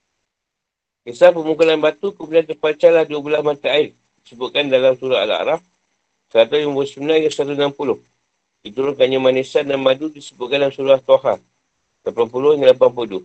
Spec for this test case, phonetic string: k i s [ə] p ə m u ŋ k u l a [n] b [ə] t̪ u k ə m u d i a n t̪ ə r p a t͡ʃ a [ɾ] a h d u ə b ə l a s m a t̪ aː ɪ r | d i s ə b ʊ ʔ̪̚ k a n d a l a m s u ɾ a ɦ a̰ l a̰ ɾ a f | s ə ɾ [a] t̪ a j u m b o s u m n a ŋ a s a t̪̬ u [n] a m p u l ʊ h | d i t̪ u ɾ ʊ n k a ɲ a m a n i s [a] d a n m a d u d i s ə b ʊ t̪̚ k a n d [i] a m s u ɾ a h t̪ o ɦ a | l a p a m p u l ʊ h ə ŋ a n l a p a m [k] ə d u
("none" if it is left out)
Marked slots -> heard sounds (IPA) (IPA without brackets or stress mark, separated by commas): a, n, a, l, a, n, a, a, p